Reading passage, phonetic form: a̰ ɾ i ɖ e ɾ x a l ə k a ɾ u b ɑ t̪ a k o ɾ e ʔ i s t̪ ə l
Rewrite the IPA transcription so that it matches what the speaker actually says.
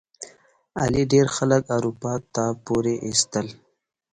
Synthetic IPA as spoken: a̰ l i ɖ e ɾ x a l ə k a ɾ u p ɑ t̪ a p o ɾ e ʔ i s t̪ ə l

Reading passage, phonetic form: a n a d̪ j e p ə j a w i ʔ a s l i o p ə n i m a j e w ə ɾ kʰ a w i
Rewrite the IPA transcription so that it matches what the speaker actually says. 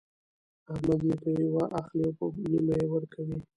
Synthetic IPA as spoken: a m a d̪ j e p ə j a w a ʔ a x l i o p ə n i m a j e w ə ɾ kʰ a w i

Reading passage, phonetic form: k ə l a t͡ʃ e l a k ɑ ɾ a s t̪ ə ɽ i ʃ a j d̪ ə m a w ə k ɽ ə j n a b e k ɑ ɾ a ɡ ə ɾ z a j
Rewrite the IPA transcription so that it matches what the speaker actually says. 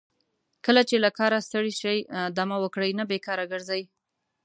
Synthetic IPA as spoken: k ə l a t͡ʃ e l a k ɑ ɾ a s t̪ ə ɽ i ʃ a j d̪ a m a w ə k ɽ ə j n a b e k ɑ ɾ a ɡ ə ɾ z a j

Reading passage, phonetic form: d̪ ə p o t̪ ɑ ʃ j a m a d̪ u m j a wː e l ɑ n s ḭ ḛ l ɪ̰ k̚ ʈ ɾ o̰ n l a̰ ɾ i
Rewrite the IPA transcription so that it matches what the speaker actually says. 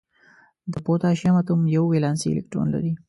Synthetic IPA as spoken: d̪ ə p o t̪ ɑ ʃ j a m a t̪ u m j a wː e l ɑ n s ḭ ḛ l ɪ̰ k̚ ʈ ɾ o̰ n l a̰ ɾ i

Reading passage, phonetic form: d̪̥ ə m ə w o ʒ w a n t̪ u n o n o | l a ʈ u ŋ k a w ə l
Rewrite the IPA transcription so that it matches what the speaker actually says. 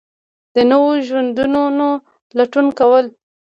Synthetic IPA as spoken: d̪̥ ə n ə w o ʒ w a n d̪ u n o n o | l a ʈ u n k a w ə l

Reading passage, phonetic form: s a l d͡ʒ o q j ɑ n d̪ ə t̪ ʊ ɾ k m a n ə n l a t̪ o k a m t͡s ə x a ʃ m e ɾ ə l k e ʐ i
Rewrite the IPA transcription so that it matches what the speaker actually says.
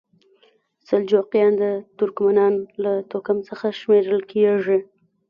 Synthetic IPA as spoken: s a l d͡ʒ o q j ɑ n d̪ ə t̪ ʊ ɾ k m a n ɑ n l a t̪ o k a m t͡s ə x a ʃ m e ɾ ə l k e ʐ i

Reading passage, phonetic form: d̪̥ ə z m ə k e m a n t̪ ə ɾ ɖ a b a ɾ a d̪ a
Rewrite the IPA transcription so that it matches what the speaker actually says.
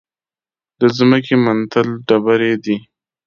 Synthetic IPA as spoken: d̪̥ ə z m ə k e m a n t̪ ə l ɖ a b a ɾ e d̪ i

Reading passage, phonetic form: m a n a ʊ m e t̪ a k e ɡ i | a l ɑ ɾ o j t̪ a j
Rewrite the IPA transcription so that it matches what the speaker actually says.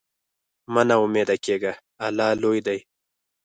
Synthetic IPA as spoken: m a n a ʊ m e d̪ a k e ɡ a | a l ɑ l o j d̪ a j

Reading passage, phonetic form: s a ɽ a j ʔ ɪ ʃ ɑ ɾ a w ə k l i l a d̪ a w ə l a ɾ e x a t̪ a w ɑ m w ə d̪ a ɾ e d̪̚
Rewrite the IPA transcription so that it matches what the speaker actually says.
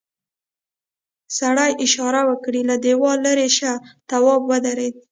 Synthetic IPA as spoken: s a ɽ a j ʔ ɪ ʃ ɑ ɾ a w ə k ɽ i l a d̪ e w ɑ l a ɾ e ʃ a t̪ a w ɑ b w ə d̪ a ɾ e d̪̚

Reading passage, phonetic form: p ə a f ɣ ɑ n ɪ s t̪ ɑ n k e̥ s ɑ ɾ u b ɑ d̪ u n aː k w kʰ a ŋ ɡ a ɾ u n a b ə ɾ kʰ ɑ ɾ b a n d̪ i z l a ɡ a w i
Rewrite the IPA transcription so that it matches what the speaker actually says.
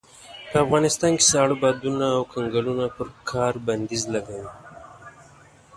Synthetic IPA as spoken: p ə a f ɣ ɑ n ɪ s t̪ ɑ n k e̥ s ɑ ɽ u b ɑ d̪ u n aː w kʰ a ŋ ɡ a l u n a p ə ɾ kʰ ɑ ɾ b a n d̪ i z l a ɡ a w i

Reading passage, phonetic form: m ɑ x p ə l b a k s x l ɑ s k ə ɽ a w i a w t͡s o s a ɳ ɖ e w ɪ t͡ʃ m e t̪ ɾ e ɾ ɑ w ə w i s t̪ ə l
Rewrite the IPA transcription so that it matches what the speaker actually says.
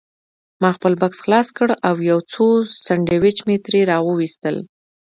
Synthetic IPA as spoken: m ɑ x p ə l b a k s x l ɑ s k ə ɽ a w j a w t͡s o s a ɳ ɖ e w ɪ t͡ʃ m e t̪ ɾ e ɾ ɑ w ə w i s t̪ ə l

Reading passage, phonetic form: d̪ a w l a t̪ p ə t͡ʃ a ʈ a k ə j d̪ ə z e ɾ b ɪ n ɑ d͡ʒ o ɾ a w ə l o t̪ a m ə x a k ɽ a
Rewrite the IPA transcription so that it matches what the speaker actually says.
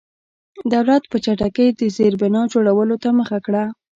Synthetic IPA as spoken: d̪ a w l a t̪ p ə t͡ʃ a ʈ a k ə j d̪ ə z e ɾ b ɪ n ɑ d͡ʒ o ɽ a w ə l o t̪ a m ə x a k ɽ a

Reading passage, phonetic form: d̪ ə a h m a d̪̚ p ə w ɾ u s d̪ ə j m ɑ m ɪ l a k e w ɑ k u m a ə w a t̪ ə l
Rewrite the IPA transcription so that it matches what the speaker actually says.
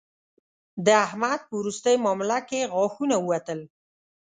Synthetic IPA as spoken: d̪ ə a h m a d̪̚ p ə w ɾ u s t̪ ə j m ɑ m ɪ l a k e ɣ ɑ x u n a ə w a t̪ ə l

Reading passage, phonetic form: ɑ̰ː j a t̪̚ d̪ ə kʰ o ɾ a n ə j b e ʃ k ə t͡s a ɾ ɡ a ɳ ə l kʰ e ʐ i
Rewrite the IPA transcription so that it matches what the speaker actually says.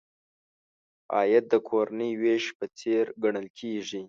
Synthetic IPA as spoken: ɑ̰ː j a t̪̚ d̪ ə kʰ o ɾ a n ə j w e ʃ p ə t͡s e ɾ ɡ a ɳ ə l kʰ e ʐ i

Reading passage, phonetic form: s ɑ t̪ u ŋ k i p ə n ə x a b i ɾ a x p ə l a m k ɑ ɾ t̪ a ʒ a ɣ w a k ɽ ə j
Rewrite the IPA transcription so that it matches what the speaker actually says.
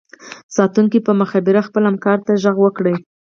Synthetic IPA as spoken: s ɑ t̪ u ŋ k i p ə m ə x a b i ɾ a x p ə l a m k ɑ ɾ t̪ a ʒ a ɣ w ə k ɽ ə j

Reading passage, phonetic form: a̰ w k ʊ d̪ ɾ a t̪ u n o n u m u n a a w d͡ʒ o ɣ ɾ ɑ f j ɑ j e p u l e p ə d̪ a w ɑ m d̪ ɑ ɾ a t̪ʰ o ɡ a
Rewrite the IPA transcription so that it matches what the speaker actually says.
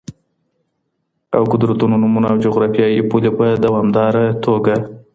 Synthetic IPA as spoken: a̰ w k ʊ d̪ ɾ a t̪ u n o n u m u n a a w d͡ʒ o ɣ ɾ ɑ f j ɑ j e p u l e p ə d̪ a w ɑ m d̪ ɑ ɾ a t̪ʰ o ɡ a

